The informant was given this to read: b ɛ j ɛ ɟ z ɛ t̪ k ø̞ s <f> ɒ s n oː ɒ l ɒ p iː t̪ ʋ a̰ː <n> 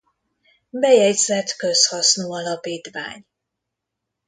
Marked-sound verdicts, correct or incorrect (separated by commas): incorrect, incorrect